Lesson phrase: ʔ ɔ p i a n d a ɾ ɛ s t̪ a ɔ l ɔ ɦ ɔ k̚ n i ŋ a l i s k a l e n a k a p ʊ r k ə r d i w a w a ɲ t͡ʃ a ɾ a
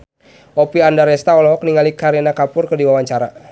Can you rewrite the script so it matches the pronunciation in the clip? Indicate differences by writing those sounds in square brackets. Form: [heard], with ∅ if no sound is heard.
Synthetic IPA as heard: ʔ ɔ p i a n d a ɾ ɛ s t̪ a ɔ l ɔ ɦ ɔ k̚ n i ŋ a l i [∅] k a [ɾ] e n a k a p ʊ r k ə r d i w a w a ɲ t͡ʃ a ɾ a